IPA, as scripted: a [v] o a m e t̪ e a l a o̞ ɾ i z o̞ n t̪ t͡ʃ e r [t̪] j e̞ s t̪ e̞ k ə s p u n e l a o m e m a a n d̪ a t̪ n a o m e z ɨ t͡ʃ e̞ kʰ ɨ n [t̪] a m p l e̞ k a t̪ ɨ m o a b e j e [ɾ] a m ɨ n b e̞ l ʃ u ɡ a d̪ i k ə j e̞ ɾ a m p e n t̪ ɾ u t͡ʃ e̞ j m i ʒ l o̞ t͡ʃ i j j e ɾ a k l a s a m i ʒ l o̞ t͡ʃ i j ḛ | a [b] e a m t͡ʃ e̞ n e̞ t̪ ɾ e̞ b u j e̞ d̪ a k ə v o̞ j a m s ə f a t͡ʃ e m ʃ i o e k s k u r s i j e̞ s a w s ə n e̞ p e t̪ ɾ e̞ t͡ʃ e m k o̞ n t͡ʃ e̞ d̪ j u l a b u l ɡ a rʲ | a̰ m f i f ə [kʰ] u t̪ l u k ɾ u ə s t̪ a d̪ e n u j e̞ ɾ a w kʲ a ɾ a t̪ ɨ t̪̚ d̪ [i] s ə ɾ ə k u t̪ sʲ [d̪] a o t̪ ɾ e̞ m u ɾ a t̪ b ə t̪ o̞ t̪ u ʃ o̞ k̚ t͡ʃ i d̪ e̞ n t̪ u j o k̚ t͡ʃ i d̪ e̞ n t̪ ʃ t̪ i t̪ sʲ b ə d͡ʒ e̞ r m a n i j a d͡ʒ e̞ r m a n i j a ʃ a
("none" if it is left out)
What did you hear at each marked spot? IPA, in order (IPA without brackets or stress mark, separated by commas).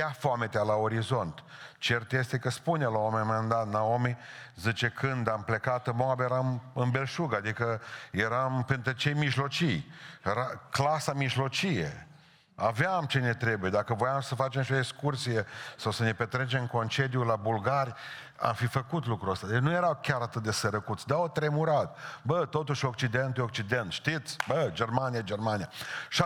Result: f, t̪, d̪, ɾ, v, k, e, d̪